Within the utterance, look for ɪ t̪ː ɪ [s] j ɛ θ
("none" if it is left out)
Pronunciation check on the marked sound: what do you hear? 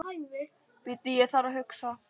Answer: none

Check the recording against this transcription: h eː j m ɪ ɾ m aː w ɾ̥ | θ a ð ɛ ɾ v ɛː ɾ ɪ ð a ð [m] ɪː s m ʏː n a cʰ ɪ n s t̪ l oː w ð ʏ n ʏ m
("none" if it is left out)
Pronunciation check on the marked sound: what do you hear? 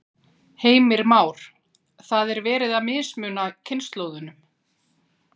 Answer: m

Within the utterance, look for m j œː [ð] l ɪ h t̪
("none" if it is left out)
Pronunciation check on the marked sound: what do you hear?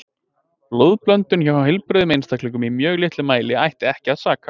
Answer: ɣ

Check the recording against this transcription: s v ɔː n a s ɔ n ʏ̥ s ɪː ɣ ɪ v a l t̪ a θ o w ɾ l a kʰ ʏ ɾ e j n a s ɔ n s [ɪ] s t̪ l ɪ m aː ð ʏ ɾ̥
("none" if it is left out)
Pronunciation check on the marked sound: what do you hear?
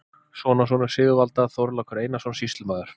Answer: i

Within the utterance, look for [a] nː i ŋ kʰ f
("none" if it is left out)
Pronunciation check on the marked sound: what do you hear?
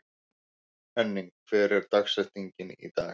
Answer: ɛ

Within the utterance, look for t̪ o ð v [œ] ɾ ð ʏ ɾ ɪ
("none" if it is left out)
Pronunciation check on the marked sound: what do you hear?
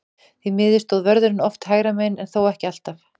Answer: œ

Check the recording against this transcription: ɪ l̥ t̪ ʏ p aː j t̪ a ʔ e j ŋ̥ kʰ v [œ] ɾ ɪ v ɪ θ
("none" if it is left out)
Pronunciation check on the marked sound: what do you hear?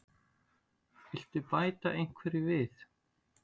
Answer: ɛ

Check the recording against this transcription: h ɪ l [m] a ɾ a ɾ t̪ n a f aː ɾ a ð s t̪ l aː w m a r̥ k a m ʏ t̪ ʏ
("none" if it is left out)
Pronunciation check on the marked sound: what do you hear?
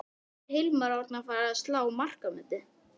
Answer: m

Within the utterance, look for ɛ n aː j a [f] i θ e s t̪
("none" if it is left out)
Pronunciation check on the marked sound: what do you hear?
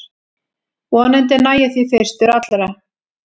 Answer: θ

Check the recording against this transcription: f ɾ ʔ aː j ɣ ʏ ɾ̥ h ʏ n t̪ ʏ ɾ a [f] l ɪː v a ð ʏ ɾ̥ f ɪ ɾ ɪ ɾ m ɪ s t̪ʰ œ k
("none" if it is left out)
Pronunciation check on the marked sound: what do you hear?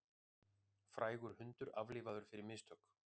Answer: v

